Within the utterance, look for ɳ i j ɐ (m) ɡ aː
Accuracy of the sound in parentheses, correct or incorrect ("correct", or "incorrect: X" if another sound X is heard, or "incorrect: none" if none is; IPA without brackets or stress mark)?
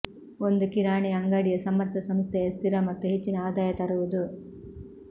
incorrect: ŋ